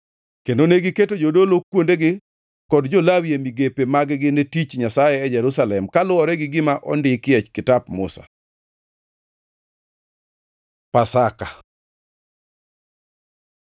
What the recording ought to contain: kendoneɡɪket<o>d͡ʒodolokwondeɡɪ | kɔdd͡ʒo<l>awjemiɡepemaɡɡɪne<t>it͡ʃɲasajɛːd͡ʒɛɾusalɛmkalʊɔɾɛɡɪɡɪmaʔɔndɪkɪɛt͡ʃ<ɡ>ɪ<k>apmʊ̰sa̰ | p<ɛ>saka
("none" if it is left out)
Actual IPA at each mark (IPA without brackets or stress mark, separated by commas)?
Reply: o, l, t, k, t, a